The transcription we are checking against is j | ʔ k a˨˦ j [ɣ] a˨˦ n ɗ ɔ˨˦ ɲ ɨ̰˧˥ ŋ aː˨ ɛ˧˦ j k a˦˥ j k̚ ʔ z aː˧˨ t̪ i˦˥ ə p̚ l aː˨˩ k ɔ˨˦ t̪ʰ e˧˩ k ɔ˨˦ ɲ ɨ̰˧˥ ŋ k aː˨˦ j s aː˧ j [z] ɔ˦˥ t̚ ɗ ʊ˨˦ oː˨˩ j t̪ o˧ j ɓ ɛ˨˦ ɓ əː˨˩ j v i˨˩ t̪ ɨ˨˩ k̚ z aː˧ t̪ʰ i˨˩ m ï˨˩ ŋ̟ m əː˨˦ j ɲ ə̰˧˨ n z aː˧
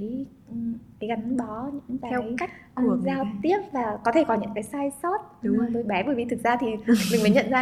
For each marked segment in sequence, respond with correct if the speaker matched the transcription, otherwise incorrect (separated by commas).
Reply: correct, incorrect